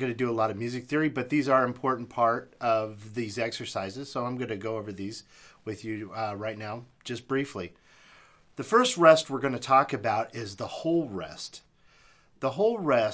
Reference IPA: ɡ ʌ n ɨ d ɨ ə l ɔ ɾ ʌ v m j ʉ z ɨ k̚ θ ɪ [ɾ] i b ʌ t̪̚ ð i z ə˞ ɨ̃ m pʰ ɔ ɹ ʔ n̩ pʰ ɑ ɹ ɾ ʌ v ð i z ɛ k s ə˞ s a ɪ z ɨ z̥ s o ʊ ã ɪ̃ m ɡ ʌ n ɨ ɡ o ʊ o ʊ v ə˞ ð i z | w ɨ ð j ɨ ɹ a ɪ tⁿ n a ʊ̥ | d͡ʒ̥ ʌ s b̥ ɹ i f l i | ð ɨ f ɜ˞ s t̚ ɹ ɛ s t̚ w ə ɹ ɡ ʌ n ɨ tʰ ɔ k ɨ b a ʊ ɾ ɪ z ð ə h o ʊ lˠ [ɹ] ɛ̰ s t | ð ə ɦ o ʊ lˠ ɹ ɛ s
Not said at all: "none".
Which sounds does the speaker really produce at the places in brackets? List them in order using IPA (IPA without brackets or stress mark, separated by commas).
ɹ, ɹ